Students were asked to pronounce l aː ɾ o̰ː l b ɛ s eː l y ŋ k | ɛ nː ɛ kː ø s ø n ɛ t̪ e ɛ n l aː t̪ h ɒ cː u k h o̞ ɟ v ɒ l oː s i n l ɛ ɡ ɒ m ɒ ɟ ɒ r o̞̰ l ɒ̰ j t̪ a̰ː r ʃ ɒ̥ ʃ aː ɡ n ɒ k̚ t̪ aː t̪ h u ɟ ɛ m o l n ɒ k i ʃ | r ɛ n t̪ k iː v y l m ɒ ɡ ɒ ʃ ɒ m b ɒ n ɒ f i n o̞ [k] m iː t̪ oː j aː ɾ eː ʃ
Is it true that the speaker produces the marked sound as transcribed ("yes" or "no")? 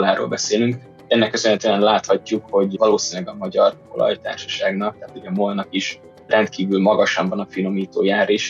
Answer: no